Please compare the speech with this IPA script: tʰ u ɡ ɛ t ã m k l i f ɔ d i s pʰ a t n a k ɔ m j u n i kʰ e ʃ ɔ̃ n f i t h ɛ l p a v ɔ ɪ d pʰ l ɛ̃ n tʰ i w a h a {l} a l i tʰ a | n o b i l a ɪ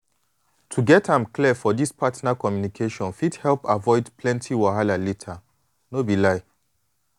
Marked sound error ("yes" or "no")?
no